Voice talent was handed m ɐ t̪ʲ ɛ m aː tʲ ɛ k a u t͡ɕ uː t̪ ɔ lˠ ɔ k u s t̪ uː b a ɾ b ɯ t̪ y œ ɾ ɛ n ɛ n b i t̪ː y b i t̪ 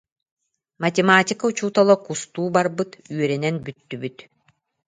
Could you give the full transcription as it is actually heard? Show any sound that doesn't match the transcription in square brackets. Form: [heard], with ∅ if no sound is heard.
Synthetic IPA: m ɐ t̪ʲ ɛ m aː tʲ [i] k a u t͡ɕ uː t̪ ɔ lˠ ɔ k u s t̪ uː b a ɾ b ɯ t̪ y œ ɾ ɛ n ɛ n b [y] t̪ː y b [y] t̪